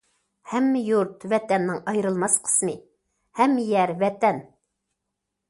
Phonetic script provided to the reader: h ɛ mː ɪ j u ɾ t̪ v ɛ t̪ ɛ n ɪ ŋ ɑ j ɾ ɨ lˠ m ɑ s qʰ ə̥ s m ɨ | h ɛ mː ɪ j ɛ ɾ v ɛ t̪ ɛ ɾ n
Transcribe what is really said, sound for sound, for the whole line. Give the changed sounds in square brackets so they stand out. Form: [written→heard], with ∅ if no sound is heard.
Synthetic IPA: h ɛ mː ɪ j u ɾ t̪ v ɛ t̪ ɛ [n→nː] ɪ ŋ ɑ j ɾ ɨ lˠ m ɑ s qʰ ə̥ s m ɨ | h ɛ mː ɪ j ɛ ɾ v ɛ t̪ ɛ [ɾ→∅] n